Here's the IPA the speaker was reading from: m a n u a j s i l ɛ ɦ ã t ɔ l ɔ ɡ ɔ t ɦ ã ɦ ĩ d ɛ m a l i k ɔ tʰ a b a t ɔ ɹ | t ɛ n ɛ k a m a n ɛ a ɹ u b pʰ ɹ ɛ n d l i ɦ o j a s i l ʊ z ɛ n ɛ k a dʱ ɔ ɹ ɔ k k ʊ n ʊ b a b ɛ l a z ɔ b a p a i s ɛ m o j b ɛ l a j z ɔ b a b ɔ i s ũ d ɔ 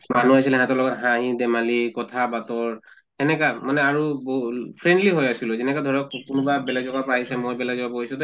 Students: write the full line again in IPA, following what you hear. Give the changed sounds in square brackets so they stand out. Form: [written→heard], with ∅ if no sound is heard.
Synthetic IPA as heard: m a n u a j s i l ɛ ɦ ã t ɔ l ɔ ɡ ɔ t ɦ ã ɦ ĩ d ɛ m a l i k ɔ tʰ a b a t ɔ ɹ | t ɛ n ɛ k a m a n ɛ a ɹ u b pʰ ɹ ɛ n d l i ɦ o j a s i l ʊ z ɛ n ɛ k a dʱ ɔ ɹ ɔ k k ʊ n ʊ b a b ɛ l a z ɔ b a p a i s ɛ m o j b ɛ l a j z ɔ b a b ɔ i s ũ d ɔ

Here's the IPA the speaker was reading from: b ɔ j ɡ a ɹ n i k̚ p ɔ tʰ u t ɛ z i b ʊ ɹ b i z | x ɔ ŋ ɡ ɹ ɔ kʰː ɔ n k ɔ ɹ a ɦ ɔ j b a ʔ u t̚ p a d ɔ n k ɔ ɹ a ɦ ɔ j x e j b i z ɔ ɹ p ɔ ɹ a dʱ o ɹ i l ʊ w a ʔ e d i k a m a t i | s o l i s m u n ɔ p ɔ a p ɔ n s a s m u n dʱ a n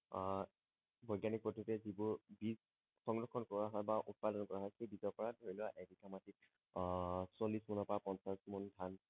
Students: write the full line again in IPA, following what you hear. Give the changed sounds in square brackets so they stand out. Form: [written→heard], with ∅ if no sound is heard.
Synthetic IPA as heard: b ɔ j ɡ a [ɹ→∅] n i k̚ p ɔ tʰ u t ɛ z i b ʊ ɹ b i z | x ɔ ŋ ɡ ɹ ɔ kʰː ɔ n k ɔ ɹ a ɦ ɔ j b a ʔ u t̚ p a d ɔ n k ɔ ɹ a ɦ ɔ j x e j b i z ɔ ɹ p ɔ ɹ a dʱ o ɹ i l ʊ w a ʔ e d i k a m a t i | s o l i s m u n ɔ p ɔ a p ɔ n s a s m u n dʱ a n

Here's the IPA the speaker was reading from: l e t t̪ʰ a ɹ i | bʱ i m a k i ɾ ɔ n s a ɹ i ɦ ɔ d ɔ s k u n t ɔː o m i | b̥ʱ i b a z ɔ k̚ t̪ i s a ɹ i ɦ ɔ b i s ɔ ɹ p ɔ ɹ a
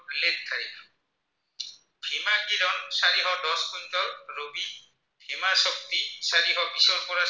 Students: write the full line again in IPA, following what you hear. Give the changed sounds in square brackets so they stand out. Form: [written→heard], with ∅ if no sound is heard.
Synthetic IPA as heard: l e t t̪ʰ a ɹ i | bʱ i m a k i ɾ ɔ n s a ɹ i ɦ ɔ d ɔ s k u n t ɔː o [m→b] i | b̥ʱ i [b→m] a [z→s] ɔ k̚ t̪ i s a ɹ i ɦ ɔ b i s ɔ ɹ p ɔ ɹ a

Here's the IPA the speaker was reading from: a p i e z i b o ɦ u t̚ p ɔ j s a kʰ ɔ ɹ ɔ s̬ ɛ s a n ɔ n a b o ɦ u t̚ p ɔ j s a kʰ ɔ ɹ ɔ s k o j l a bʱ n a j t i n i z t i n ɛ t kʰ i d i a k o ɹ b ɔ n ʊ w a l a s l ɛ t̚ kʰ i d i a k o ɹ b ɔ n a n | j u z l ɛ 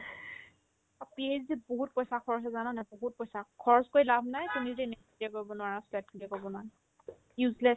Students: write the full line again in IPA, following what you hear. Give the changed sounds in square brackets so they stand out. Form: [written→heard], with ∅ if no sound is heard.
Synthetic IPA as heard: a p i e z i b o ɦ u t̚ p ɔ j s a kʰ ɔ ɹ ɔ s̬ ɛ [s→z] a n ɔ n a b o ɦ u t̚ p ɔ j s a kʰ ɔ ɹ ɔ s k o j l a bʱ n a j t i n i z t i n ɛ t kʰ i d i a k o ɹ b ɔ n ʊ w a [l→ɹ] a s l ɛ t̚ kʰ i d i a k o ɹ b ɔ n a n | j u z l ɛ

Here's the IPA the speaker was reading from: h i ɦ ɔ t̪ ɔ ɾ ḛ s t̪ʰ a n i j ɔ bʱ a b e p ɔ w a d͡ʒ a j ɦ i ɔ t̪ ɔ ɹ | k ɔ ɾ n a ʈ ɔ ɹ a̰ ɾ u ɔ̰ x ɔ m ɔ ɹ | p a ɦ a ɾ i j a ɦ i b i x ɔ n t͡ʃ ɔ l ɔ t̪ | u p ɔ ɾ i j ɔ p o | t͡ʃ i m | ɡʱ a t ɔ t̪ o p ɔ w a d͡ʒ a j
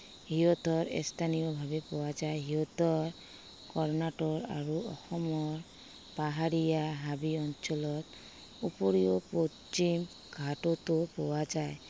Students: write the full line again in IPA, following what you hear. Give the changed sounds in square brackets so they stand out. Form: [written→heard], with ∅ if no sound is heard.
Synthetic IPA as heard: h i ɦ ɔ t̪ ɔ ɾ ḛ s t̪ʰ a n i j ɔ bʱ a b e p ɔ w a d͡ʒ a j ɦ i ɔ t̪ ɔ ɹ | k ɔ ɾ n a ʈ ɔ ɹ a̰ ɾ u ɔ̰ x ɔ m ɔ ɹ | p a ɦ a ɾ i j a ɦ [i→a] b i [x→∅] ɔ n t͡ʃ ɔ l ɔ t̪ | u p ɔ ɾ i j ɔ p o | t͡ʃ i m | ɡʱ a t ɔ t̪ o p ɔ w a d͡ʒ a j

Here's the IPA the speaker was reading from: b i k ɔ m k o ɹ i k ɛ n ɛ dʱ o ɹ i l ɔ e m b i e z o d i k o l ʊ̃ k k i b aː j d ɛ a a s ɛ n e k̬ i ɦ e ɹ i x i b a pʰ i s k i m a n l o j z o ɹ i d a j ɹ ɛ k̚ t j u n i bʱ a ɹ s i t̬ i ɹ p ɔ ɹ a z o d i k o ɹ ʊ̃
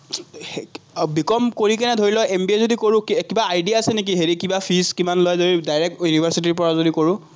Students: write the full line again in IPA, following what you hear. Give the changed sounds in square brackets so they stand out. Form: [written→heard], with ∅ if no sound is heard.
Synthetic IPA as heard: b i k ɔ m k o ɹ i k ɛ n ɛ dʱ o ɹ i l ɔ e m b i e z o d i k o [l→ɹ] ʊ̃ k k i b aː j d [ɛ→i] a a s ɛ n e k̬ i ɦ e ɹ i [x→k] i b a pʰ i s k i m a n l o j z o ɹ i d a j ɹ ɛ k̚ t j u n i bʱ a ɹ s i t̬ i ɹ p ɔ ɹ a z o d i k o ɹ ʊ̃

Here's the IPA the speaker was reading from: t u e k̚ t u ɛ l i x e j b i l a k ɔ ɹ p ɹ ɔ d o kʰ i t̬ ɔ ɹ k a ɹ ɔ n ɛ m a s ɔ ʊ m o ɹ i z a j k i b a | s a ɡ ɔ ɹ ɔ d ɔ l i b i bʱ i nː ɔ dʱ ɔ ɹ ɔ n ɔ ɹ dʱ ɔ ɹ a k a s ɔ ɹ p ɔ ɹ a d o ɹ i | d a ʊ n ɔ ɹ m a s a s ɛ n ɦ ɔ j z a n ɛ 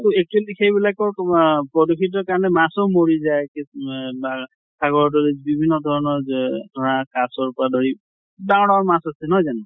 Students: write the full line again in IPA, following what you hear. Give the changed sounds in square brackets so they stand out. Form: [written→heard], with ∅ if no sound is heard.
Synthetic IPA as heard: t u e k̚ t u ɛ l i x e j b i l a k ɔ ɹ p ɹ ɔ d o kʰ i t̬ ɔ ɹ k a ɹ ɔ n ɛ m a s ɔ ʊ m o ɹ i z a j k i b a | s a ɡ ɔ ɹ ɔ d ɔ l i b i bʱ i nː ɔ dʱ ɔ ɹ ɔ n ɔ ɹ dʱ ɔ ɹ a k a s ɔ ɹ p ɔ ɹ a d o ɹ i | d a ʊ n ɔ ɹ m a s a s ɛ n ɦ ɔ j z a n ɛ

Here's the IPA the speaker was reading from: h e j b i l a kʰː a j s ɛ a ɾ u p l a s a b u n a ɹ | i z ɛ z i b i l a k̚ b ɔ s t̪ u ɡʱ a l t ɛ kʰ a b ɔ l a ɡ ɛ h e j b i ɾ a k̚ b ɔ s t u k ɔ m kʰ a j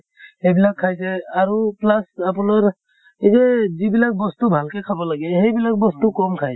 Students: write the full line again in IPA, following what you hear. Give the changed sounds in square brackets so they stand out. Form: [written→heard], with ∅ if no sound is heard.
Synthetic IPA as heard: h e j b i l a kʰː a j s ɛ a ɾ u p l a s a [b→p] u n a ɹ | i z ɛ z i b i l a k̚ b ɔ s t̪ u [ɡʱ→bʱ] a l [t→k] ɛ kʰ a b ɔ l a ɡ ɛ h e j b i [ɾ→l] a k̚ b ɔ s t u k ɔ m kʰ a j

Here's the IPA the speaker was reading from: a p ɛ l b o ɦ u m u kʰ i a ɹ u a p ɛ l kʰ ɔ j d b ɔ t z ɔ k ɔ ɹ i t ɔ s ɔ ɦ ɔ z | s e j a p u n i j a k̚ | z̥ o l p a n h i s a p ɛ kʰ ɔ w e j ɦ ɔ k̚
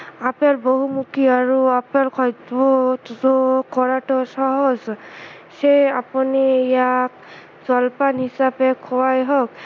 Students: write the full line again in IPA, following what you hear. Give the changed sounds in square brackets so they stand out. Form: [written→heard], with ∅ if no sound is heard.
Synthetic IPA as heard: a p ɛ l b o ɦ u m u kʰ i a ɹ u a p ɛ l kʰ ɔ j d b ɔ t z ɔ k ɔ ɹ [i→a] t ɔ s ɔ ɦ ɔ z | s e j a p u n i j a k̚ | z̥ [o→ɔ] l p a n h i s a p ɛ kʰ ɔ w [e→a] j ɦ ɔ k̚

